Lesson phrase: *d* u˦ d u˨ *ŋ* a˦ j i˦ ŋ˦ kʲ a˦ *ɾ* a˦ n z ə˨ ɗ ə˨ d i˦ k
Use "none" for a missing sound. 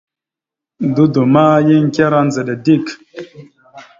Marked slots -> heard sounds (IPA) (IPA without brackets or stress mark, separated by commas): d, m, ɾ